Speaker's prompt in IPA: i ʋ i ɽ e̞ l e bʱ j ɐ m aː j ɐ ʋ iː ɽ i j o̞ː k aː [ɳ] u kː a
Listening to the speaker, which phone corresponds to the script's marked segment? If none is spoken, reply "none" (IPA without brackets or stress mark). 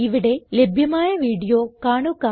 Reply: ɳ